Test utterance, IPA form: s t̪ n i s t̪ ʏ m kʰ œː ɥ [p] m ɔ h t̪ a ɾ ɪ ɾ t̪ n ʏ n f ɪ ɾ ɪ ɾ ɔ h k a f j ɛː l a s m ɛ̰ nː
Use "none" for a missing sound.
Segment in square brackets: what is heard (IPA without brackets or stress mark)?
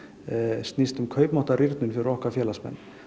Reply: p